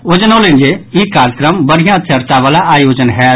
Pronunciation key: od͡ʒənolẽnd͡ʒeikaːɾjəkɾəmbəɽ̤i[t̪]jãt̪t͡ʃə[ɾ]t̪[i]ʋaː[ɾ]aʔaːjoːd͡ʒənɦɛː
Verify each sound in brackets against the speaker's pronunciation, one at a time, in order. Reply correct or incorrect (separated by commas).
incorrect, correct, incorrect, incorrect